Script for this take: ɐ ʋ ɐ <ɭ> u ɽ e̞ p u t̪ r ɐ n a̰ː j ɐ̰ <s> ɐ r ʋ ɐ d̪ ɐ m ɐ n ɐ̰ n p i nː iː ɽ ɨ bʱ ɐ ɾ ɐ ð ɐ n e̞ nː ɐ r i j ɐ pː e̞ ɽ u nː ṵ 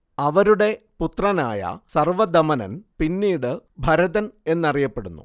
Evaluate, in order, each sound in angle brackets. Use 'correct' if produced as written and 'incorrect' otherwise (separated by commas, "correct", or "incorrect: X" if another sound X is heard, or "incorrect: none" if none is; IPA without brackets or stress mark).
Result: incorrect: ɾ, correct